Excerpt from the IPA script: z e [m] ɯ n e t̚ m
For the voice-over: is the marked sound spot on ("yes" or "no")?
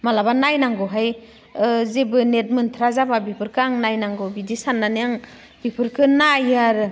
no